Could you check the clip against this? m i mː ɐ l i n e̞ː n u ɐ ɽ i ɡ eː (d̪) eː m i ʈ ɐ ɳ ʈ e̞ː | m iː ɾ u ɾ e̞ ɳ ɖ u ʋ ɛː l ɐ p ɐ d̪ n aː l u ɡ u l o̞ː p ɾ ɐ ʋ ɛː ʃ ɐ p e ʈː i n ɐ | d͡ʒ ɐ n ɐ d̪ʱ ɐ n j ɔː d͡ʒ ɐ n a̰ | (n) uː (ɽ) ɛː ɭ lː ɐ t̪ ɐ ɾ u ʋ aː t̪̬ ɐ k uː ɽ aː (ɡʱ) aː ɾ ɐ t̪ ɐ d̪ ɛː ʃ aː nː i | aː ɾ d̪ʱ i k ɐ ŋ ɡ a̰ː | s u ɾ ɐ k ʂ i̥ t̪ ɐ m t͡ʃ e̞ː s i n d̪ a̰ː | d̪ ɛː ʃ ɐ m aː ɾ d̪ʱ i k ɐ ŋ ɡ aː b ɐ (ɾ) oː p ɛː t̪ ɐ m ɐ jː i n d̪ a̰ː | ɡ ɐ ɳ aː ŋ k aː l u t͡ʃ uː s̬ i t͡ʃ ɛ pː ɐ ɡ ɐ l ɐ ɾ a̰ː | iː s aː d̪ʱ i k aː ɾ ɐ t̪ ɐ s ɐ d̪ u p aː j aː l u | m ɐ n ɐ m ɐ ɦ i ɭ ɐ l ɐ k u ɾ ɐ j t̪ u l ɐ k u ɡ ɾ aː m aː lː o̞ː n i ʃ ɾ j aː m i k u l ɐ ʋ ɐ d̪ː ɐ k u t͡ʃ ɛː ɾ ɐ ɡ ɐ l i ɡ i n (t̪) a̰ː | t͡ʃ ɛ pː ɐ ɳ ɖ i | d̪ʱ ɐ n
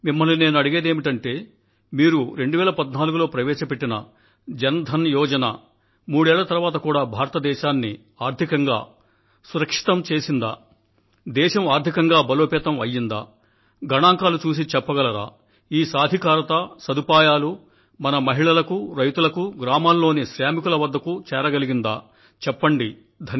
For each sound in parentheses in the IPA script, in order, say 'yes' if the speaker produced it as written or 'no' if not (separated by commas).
yes, no, yes, no, no, no